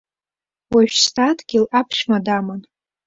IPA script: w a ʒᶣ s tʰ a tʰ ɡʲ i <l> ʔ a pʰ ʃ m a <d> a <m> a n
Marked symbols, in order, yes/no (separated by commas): yes, yes, yes